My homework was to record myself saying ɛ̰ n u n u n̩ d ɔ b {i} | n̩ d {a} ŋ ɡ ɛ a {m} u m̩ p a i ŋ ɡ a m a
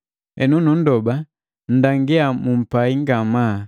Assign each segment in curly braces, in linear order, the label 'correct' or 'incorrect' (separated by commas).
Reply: incorrect, correct, correct